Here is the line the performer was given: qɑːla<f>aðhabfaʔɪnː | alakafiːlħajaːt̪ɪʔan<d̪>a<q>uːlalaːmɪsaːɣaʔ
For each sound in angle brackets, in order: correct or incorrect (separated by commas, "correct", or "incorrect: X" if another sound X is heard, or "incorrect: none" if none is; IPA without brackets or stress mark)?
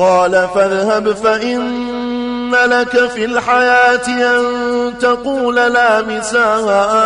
correct, incorrect: t̪, correct